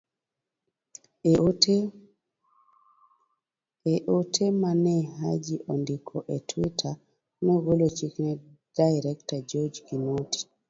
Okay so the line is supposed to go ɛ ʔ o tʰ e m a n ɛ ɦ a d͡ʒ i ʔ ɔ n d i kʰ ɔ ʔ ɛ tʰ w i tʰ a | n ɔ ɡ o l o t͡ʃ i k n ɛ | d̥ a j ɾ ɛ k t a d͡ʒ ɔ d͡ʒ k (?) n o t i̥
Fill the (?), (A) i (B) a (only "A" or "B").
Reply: A